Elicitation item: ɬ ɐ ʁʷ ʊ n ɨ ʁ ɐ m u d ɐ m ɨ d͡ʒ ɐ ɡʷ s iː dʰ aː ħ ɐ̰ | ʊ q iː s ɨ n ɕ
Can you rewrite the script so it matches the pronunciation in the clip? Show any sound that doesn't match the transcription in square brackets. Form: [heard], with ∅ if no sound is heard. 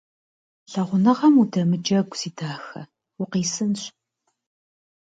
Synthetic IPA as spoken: ɬ ɐ ʁʷ ʊ n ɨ ʁ ɐ m u d ɐ m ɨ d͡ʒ ɐ ɡʷ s iː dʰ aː [x] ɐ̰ | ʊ q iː s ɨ n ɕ